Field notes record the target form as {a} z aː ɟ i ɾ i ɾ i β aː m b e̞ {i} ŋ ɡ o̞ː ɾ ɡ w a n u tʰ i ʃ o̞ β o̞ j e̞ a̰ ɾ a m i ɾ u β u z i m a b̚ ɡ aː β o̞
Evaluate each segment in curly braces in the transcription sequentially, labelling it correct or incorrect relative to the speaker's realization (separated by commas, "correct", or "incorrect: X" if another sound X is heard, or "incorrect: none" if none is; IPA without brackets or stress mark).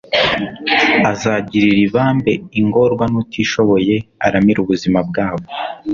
correct, correct